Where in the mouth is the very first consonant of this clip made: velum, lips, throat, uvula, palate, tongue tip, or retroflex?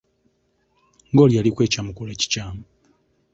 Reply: velum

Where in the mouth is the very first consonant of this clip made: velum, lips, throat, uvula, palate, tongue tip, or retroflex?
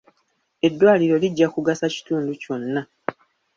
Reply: tongue tip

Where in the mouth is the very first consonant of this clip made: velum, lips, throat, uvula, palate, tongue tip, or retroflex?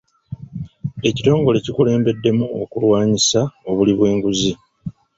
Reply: palate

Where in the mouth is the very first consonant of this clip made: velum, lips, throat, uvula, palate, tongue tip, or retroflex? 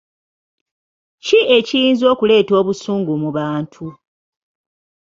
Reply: palate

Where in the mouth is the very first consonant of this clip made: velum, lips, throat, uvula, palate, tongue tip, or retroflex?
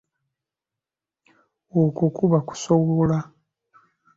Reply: velum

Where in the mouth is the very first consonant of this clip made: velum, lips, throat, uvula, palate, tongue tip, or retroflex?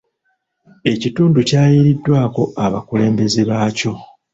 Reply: palate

